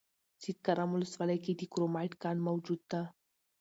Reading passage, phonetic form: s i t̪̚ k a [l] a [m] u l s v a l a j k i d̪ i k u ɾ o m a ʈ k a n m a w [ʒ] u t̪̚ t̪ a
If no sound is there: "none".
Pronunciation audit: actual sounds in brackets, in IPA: ɾ, m, d͡ʒ

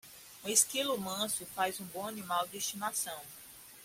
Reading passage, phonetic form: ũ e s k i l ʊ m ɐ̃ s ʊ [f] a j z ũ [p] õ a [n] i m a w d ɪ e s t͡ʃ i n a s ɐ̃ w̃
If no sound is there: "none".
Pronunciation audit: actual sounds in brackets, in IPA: f, b, n

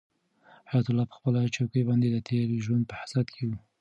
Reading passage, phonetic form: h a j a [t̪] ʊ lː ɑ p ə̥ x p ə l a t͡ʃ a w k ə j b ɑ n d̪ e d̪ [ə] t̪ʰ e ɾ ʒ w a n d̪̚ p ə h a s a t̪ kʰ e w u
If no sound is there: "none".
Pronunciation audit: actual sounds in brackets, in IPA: t̪, ə

